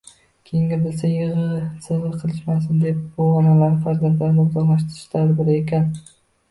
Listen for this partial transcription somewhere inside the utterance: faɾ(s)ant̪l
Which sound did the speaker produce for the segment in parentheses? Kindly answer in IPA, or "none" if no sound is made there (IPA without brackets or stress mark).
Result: z